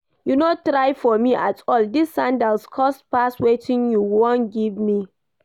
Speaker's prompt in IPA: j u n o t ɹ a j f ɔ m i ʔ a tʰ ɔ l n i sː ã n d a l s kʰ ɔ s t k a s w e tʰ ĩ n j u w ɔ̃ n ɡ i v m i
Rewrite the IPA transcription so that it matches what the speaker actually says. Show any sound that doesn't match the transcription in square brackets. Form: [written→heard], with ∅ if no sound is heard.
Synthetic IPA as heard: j u n o t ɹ a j f ɔ m i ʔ a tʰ ɔ l [n→d] i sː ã n d a l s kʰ ɔ s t [k→p] a s w e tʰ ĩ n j u w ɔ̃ n ɡ i v m i